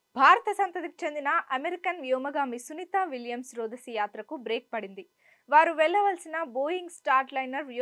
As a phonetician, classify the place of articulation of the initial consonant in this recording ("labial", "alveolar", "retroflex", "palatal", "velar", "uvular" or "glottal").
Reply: labial